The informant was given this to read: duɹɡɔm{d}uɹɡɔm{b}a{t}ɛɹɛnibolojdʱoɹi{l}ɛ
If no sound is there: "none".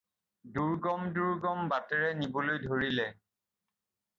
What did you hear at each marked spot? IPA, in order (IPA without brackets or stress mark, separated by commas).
d, b, t, l